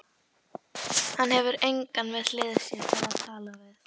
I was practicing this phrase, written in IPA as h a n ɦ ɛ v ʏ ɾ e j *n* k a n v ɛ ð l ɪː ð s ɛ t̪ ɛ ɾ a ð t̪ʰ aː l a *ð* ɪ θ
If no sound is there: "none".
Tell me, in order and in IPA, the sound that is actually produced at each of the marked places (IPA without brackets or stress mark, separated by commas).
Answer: ŋ, v